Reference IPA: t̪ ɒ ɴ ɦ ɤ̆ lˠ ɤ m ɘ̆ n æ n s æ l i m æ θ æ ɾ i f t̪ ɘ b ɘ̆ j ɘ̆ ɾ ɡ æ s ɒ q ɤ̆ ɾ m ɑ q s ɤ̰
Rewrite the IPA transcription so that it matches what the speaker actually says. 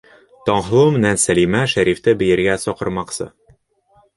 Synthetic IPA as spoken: t̪ ɒ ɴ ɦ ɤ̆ lˠ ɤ m ɘ̆ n æ n s æ l i m æ ʃ æ ɾ i f t̪ ɘ b ɘ̆ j ɘ̆ ɾ ɡ æ s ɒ q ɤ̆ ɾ m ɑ q s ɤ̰